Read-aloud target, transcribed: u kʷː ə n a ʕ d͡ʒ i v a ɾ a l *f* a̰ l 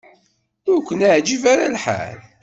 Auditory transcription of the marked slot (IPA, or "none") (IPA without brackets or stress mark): ħ